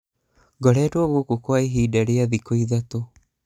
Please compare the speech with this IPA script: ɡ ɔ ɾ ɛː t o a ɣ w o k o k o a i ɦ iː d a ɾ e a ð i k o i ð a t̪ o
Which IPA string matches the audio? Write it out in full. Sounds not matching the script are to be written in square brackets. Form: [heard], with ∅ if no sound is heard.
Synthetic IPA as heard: ɡ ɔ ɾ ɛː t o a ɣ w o k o k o a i ɦ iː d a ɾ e a ð i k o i ð a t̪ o